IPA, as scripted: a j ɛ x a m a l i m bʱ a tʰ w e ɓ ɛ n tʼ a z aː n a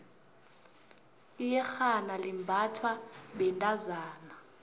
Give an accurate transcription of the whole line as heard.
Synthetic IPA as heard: i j ɛ x a n a l i m bʱ a tʰ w a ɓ ɛ n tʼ a z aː n a

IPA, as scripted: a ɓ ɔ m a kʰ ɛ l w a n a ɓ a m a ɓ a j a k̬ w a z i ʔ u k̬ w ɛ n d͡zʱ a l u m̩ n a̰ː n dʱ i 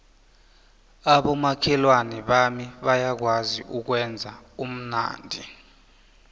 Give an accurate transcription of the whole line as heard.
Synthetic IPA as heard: a ɓ ɔ m a kʰ ɛ l w a n ɛ ɓ a m i ɓ a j a k̬ w a z i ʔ u k̬ w ɛ n d͡zʱ a u m̩ n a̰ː n dʱ i

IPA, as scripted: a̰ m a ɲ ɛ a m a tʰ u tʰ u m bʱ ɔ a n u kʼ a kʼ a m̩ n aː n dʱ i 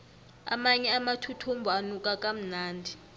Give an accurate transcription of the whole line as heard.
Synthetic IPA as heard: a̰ m a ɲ ɛ a m a tʰ u tʰ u m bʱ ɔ a n u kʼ a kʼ a m̩ n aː n dʱ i

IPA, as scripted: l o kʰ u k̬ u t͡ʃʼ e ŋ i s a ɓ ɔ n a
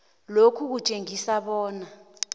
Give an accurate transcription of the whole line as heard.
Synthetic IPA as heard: l o kʰ u k̬ u t͡ʃʼ e ŋ i s a ɓ ɔː n a

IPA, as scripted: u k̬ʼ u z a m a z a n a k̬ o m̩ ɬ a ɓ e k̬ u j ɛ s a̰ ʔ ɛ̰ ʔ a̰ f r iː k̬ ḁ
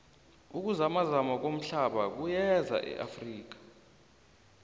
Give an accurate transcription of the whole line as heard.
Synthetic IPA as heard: u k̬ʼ u z a m a z a m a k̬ o m̩ ɬ a ɓ a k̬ u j ɛ z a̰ ʔ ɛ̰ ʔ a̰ f r iː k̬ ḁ

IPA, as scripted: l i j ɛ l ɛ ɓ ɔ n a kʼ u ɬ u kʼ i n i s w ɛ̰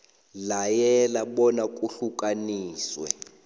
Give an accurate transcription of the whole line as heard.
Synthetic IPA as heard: l a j ɛ l a ɓ ɔ n a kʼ u ɬ u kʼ a n iː s w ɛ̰

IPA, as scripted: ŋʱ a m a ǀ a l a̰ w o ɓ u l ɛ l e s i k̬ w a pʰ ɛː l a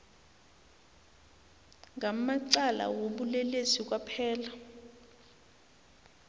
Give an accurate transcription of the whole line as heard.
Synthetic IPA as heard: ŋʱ a m a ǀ a l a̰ w o ɓ u l ɛ l e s i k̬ w a pʰ ɛː l a

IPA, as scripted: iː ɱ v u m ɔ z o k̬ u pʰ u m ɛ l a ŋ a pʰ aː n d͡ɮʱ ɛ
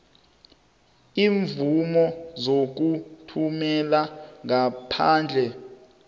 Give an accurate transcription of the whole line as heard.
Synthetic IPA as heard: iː ɱ v u m ɔ z o k̬ u tʰ u m ɛ l a ŋ a pʰ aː n d͡ɮʱ ɛ

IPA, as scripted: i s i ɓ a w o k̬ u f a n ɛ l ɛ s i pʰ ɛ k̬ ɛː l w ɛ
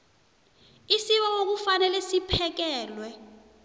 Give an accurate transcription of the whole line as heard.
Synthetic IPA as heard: i s i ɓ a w o k̬ u f a n ɛ l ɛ s i pʰ ɛ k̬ ɛː l w ɛ

